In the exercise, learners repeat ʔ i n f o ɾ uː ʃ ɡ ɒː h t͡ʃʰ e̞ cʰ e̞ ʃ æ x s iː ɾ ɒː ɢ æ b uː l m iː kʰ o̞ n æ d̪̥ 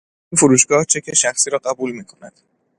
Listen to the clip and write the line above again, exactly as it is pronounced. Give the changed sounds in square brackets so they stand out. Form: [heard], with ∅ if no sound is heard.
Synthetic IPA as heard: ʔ i n f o ɾ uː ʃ ɡ ɒː h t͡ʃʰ e̞ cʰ e̞ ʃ æ x s iː ɾ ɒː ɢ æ b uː l m iː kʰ o̞ n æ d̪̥